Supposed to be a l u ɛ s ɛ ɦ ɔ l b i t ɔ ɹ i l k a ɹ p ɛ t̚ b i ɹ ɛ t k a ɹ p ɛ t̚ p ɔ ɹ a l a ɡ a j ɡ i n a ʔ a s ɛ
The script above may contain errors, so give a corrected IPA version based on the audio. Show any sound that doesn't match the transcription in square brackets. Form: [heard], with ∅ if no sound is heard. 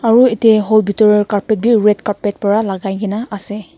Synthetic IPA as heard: a [ɹ] u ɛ [t] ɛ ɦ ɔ l b i t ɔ ɹ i [ɹ] k a ɹ p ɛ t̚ b i ɹ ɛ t k a ɹ p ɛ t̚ p ɔ ɹ a l a ɡ a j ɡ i n a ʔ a s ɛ